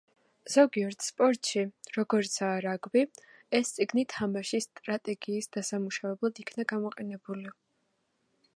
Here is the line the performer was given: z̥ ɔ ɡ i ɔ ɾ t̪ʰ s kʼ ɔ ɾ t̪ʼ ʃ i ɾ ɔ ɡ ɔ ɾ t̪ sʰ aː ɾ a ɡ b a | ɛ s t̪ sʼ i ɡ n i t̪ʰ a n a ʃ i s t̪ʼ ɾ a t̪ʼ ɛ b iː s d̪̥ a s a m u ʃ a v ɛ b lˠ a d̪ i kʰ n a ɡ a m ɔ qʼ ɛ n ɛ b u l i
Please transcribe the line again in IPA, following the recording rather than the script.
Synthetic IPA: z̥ ɔ ɡ i ɔ ɾ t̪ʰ s pʼ ɔ ɾ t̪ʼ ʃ i ɾ ɔ ɡ ɔ ɾ t̪ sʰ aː ɾ a ɡ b i | ɛ s t̪ sʼ i ɡ n i t̪ʰ a m a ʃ i s t̪ʼ ɾ a t̪ʼ ɛ ɡ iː s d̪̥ a s a m u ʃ a v ɛ b lˠ a d̪ i kʰ n a ɡ a m ɔ qʼ ɛ n ɛ b u l i